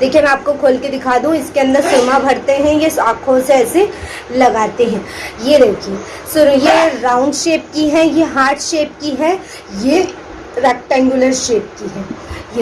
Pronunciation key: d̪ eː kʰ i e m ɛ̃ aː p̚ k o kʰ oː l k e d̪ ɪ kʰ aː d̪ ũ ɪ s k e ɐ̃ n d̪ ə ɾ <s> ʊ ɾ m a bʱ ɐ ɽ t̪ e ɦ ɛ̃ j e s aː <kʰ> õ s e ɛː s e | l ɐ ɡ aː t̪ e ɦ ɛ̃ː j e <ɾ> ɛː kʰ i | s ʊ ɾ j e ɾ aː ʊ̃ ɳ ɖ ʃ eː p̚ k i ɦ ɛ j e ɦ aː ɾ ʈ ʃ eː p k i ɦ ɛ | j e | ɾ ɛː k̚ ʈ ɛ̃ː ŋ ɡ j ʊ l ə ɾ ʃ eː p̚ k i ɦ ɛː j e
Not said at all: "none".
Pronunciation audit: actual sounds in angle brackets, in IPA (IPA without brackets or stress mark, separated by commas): s, kʰ, ɾ